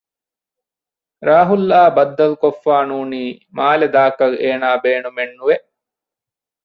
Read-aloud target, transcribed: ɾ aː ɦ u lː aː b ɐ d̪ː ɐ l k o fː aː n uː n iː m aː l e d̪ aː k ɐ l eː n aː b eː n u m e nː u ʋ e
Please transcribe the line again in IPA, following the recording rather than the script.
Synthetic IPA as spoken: ɾ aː ɦ u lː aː b ɐ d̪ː ɐ l k o fː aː n uː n iː m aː l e d̪ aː k ɐ l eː n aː b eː n u m e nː u ʋ e